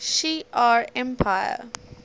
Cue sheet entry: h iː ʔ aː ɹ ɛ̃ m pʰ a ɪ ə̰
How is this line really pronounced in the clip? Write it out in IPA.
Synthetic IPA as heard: ʃ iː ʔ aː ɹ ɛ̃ m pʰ a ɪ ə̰